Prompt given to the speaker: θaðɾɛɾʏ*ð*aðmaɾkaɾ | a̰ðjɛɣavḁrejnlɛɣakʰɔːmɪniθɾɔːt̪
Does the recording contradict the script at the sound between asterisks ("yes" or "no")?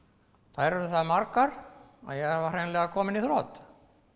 yes